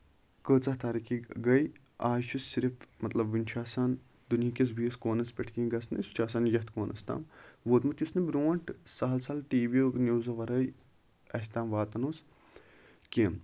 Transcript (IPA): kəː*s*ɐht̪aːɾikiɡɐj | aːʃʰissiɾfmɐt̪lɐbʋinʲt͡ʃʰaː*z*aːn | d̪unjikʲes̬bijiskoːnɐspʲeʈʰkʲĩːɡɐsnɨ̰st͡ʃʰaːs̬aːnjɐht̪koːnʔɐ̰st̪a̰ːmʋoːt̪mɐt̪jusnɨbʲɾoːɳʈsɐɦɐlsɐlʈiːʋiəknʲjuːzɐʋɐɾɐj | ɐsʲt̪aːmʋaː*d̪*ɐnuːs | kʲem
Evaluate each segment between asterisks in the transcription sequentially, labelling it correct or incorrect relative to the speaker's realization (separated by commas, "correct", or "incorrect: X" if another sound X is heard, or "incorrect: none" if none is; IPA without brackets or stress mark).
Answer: incorrect: t͡s, incorrect: s, incorrect: t̪